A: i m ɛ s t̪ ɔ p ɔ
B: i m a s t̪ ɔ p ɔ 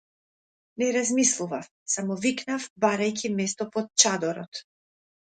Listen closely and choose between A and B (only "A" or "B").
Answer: A